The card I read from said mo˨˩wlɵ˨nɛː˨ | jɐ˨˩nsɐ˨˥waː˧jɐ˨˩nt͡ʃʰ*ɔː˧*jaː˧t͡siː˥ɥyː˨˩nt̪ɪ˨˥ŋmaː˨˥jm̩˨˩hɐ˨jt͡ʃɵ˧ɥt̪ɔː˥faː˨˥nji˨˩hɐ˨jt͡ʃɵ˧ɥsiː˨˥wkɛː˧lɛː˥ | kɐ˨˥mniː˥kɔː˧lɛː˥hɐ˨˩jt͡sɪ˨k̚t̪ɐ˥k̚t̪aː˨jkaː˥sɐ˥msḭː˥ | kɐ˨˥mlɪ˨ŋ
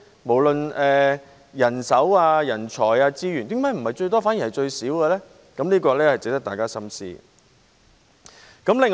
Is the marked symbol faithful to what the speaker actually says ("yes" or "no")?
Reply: no